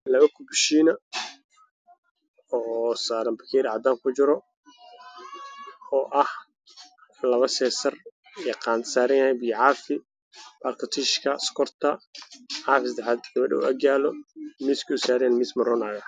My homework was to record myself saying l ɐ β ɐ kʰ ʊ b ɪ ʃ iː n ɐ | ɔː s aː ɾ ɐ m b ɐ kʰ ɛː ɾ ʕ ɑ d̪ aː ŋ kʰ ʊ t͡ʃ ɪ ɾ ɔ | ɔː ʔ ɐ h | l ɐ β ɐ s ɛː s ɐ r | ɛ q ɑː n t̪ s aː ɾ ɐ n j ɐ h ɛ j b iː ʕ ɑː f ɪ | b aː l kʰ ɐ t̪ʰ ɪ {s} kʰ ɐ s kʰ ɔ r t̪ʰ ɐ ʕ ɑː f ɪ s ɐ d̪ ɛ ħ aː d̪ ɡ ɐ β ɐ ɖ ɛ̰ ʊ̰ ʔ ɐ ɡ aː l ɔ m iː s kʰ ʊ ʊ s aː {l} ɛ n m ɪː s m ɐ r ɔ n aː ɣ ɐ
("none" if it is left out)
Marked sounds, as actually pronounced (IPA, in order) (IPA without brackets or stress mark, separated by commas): ʃ, ɾ